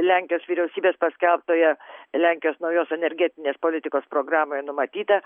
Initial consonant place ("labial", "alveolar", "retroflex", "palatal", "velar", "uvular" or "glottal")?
alveolar